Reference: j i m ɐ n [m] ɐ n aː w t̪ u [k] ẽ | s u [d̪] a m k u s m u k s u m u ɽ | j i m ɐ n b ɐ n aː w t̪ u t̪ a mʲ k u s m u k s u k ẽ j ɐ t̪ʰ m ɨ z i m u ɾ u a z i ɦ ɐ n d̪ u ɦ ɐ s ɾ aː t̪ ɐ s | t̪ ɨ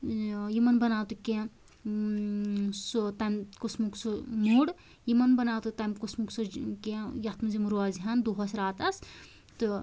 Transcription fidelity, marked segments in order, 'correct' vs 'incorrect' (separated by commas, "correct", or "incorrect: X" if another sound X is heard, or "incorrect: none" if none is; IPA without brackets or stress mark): incorrect: b, correct, incorrect: t̪